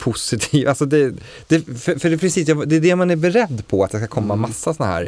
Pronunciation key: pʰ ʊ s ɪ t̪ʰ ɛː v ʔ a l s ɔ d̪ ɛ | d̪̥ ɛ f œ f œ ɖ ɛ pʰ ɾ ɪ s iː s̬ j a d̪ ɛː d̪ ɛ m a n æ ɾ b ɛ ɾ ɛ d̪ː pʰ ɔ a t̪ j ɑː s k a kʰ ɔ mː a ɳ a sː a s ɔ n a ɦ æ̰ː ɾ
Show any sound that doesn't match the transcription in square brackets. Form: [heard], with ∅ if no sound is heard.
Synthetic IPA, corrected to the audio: pʰ ʊ s ɪ t̪ʰ [iː] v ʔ a l s ɔ d̪ ɛ | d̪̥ ɛ f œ f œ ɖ ɛ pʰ ɾ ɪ s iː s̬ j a d̪ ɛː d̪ ɛ m a n æ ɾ b ɛ ɾ ɛ d̪ː pʰ ɔ a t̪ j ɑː s k a kʰ ɔ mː a [m] a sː a s ɔ n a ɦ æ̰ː ɾ